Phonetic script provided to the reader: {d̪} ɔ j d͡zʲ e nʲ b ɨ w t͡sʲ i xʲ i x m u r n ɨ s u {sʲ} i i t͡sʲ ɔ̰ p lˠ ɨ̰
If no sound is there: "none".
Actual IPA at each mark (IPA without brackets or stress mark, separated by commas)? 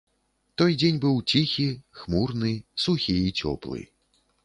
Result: t̪, xʲ